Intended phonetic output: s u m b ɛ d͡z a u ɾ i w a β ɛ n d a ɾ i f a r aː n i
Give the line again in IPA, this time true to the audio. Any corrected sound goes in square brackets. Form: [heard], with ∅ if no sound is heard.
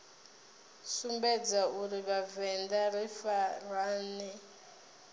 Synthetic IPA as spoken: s u m b ɛ d͡z a u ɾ i [β] a [v] ɛ n d a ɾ i f a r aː n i

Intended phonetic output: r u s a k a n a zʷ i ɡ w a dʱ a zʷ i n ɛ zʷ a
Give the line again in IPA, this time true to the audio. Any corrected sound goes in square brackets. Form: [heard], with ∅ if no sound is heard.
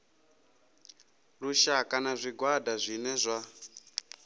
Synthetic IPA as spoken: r u [ʃ] a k a n a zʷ i ɡ w a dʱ a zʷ i n ɛ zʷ a

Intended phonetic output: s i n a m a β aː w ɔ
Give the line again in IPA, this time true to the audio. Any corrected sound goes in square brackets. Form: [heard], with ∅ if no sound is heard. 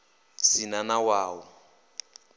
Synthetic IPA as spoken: s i n a [n] a [w] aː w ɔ

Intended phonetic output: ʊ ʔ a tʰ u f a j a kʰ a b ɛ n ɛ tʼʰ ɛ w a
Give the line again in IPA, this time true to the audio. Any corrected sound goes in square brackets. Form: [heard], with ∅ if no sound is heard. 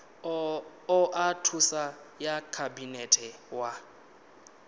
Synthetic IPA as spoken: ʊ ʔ a tʰ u [s] a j a kʰ a b [i] n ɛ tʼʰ ɛ w a

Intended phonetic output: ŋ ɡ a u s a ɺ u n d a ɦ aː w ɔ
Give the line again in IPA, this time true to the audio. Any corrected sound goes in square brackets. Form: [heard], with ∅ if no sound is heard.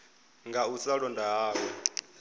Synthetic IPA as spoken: ŋ ɡ a u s a ɺ [ɔ] n d a ɦ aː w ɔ

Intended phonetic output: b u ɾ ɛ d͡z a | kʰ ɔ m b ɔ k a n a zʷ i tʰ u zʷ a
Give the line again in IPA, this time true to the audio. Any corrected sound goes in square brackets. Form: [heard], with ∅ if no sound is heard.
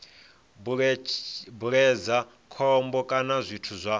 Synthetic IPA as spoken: b u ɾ ɛ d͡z a | kʰ ɔ m b ɔ [kʼ] a n a zʷ i tʰ u zʷ a

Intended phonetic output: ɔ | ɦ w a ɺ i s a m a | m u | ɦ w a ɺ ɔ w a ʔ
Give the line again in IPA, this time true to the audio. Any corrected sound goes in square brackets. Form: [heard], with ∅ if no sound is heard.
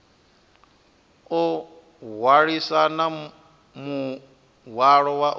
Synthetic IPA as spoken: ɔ | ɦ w a ɺ i s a [n] a | m u | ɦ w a ɺ ɔ w a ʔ

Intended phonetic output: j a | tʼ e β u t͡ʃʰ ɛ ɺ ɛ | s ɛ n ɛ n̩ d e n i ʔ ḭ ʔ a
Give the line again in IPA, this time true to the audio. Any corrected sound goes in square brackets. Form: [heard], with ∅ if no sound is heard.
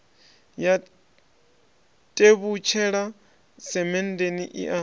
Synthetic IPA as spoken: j a | tʼ e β u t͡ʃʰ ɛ ɺ [a] | s ɛ [m] ɛ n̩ d e n i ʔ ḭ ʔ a

